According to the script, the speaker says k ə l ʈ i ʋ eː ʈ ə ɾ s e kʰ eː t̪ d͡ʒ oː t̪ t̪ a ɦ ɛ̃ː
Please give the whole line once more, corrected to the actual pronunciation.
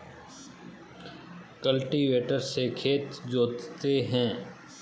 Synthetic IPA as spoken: k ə l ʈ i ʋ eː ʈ ə ɾ s e kʰ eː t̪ d͡ʒ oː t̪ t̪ e ɦ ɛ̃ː

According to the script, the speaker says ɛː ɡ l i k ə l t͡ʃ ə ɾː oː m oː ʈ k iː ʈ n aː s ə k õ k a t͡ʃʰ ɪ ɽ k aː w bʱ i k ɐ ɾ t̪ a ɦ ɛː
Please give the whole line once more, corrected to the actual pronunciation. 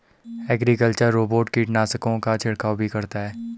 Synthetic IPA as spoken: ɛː ɡ ɾ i k ə l t͡ʃ ə ɾː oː b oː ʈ k iː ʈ n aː s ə k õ k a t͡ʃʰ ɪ ɽ k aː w bʱ i k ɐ ɾ t̪ a ɦ ɛː

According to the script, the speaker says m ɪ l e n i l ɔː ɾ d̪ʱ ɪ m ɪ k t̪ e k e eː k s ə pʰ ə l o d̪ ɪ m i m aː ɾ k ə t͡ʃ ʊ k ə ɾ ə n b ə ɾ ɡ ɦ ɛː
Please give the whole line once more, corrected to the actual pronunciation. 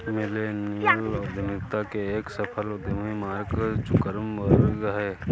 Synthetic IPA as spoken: m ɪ l e n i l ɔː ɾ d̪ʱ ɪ m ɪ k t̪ a k e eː k s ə pʰ ə l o d̪ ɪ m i m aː ɾ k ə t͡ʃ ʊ k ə ɾ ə m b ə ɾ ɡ ɦ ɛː

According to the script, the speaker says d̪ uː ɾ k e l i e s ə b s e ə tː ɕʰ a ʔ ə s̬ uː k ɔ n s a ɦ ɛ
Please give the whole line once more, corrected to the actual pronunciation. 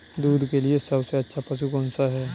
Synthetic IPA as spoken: d̪ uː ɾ k e l i e s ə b s e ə tː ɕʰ a p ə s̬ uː k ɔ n s a ɦ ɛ

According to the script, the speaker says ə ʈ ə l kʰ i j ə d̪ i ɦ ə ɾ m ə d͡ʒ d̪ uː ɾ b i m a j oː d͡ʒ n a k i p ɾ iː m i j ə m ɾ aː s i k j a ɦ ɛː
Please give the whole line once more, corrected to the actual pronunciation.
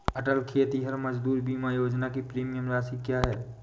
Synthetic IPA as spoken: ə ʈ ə l kʰ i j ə t̪ i ɦ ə ɾ m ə d͡ʒ d̪ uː ɾ b i m a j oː d͡ʒ n a k i p ɾ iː m i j ə m ɾ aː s i k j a ɦ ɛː

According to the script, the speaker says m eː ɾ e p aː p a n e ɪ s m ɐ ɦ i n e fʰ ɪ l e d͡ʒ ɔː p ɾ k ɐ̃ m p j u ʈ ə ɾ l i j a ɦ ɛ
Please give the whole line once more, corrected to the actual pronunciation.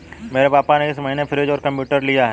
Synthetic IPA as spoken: m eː ɾ e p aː p a n e ɪ s m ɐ ɦ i n e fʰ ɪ ɾ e d͡ʒ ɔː ɾ k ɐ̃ m p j uː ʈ ə ɾ l i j a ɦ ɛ

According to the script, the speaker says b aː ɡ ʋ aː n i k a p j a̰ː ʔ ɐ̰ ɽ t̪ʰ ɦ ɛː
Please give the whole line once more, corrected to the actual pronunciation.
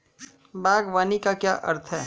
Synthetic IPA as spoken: b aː ɡ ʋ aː n i k a k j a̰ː ʔ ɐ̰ ɾ t̪ʰ ɦ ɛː

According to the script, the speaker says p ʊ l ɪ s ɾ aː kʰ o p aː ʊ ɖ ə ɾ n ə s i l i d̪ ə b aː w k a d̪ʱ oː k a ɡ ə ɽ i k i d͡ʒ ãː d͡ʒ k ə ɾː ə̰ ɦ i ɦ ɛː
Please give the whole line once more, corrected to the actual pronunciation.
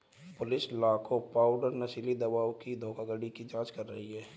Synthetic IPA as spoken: p ʊ l ɪ s l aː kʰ o p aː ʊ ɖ ə ɾ n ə s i l i d̪ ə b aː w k i d̪ʱ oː k a ɡ ə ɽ i k i d͡ʒ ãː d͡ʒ k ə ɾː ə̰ ɦ i ɦ ɛː

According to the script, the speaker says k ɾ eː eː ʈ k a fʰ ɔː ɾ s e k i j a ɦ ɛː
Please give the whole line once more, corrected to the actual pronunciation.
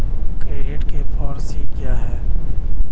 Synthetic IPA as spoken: k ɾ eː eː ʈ k e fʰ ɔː ɾ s i k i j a ɦ ɛː

